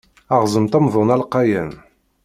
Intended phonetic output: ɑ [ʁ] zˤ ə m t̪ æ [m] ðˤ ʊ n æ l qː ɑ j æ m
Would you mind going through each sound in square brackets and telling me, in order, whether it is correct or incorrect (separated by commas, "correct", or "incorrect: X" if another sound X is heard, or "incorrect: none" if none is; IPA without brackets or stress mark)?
correct, correct